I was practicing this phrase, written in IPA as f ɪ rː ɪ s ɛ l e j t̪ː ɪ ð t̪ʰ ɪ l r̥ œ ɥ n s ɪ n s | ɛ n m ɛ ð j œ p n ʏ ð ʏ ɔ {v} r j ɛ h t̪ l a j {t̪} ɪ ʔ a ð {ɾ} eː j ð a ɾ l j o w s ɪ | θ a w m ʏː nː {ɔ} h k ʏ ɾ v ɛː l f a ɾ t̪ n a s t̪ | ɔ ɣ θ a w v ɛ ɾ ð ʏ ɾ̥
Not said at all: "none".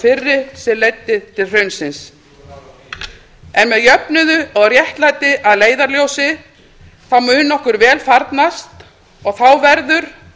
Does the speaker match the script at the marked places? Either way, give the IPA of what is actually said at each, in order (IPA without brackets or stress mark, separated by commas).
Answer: ɣ, t̪, l, ɔ